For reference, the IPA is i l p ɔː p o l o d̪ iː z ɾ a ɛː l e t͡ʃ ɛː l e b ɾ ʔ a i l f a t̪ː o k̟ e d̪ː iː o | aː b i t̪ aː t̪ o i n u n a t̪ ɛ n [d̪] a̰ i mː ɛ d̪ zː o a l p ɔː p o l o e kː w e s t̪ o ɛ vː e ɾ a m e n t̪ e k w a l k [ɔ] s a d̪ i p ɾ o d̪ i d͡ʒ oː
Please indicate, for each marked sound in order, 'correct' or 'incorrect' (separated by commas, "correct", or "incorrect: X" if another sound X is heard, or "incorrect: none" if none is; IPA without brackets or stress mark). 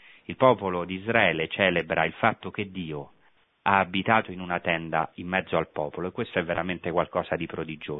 correct, incorrect: ɔː